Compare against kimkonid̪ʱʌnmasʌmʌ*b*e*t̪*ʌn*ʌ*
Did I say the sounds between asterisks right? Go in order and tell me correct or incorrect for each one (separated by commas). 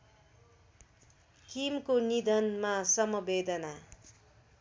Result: correct, incorrect, incorrect